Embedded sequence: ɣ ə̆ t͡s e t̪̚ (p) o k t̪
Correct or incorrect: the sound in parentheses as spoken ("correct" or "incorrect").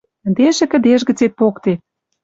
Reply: correct